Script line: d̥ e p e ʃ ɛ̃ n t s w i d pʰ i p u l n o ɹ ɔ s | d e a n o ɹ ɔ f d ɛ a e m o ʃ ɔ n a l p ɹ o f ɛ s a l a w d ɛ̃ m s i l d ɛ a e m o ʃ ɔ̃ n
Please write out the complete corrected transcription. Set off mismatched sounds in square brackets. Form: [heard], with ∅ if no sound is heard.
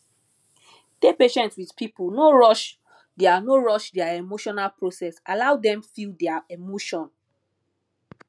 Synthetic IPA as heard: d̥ e p e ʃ ɛ̃ n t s w i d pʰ i p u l n o ɹ ɔ [ʃ] | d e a n o ɹ ɔ [ʃ] d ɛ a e m o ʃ ɔ n a l p ɹ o [s] ɛ s a l a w d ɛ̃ m [f] i l d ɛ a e m o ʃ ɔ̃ n